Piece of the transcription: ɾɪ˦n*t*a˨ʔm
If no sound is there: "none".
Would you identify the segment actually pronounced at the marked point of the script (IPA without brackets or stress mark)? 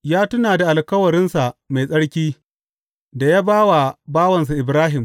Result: s